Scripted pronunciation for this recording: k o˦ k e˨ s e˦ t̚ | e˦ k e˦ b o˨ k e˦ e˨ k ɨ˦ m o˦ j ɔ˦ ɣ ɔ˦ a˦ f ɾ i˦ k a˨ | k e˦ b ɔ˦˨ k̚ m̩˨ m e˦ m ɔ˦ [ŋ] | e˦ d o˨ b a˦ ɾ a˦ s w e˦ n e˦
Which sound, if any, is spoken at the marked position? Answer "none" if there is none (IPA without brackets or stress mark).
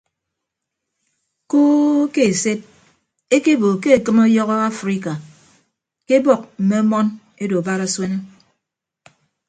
n